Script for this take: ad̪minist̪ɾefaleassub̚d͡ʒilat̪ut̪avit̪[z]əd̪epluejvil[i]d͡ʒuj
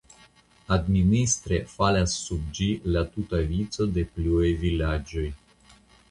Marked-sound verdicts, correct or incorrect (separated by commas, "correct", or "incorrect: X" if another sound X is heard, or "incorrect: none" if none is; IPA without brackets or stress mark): incorrect: s, incorrect: a